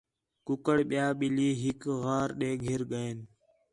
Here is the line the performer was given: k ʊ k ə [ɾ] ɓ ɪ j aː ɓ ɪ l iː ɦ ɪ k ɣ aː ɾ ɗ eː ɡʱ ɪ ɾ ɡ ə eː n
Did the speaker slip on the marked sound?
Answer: yes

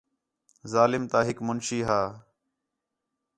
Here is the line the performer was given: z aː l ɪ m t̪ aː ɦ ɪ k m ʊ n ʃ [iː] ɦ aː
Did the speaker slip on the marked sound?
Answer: no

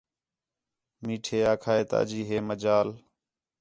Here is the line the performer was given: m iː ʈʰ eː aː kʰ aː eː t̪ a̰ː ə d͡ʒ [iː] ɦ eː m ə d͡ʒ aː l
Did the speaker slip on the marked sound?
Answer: no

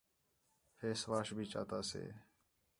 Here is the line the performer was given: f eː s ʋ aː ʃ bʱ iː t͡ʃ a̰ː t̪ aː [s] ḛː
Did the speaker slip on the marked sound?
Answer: no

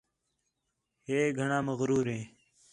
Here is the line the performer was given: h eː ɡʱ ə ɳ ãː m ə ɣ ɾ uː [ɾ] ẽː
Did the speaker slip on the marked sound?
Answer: no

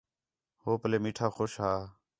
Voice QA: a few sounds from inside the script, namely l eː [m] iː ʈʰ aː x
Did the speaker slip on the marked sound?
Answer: no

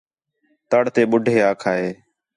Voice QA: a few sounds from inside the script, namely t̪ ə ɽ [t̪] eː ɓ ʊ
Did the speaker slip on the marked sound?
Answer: no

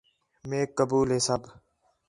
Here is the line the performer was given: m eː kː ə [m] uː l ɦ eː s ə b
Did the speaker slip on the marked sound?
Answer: yes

